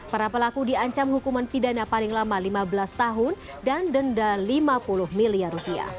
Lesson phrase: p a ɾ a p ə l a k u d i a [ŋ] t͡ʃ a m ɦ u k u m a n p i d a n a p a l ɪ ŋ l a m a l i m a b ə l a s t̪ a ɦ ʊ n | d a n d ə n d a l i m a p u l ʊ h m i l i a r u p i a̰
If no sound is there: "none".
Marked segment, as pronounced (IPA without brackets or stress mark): ɲ